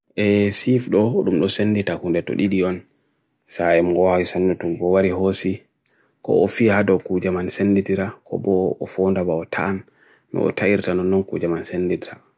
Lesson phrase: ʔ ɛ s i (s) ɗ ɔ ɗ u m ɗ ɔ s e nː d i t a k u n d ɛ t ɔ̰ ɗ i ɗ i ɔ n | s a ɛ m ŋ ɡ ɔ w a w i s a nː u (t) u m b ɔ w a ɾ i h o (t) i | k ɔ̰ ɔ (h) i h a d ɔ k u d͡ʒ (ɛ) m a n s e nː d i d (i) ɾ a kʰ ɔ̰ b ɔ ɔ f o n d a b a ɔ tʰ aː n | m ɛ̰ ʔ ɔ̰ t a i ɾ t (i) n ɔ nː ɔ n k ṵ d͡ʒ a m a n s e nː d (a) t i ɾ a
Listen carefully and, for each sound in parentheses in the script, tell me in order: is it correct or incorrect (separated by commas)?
incorrect, correct, incorrect, incorrect, incorrect, correct, incorrect, incorrect